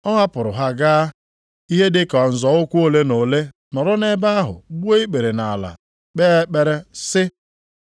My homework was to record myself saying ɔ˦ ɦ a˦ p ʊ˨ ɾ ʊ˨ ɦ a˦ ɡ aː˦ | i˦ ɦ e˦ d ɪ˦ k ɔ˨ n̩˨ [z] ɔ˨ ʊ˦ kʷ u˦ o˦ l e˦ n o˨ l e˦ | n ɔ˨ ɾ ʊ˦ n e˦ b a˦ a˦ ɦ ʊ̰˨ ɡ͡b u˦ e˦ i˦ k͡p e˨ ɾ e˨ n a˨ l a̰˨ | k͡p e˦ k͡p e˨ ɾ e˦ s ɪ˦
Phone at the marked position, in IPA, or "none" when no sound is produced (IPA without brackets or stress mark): z